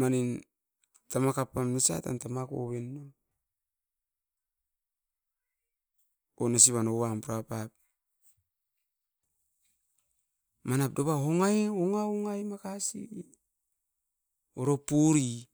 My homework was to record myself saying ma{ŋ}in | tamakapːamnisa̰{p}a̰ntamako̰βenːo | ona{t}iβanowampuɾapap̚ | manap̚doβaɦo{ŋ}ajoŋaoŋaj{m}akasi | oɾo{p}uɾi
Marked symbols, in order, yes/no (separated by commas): no, no, no, yes, yes, yes